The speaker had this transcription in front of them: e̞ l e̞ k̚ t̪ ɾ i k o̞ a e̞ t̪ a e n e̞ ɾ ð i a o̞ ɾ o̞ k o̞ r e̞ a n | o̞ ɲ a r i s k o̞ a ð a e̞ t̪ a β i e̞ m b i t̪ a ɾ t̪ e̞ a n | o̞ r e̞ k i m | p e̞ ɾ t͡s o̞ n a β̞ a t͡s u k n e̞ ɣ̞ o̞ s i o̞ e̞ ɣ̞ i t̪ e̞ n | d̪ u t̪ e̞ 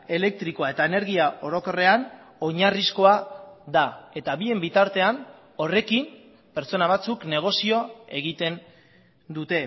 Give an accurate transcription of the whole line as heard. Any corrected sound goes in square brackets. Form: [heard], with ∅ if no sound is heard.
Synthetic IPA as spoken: e̞ l e̞ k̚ t̪ ɾ i k o̞ a e̞ t̪ a e n e̞ ɾ [ɣ] i a o̞ ɾ o̞ k o̞ r e̞ a n | o̞ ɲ a r i s k o̞ a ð a e̞ t̪ a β i e̞ m b i t̪ a ɾ t̪ e̞ a n | o̞ r e̞ k i m | p e̞ ɾ t͡s o̞ n a β̞ a t͡s u k n e̞ ɣ̞ o̞ s i o̞ e̞ ɣ̞ i t̪ e̞ n | d̪ u t̪ e̞